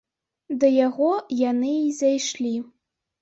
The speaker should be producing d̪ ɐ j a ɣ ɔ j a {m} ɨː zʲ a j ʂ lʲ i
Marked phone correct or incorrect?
incorrect